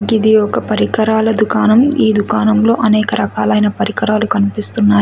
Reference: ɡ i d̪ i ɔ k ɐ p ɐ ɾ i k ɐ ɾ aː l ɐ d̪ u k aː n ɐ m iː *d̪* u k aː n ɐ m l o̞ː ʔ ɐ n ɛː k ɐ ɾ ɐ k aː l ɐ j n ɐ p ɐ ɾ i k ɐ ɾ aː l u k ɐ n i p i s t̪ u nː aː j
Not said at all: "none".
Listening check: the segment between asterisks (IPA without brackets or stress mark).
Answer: d̪